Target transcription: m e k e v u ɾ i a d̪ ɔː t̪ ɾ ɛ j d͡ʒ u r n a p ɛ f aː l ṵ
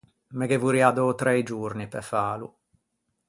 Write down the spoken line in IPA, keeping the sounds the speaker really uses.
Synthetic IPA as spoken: m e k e v u ɾ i a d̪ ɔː t̪ ɾ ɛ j d͡ʒ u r n i p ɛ f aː l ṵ